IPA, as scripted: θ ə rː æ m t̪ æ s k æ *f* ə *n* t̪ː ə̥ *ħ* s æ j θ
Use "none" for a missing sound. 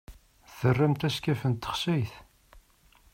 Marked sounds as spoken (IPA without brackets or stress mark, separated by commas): f, n, χ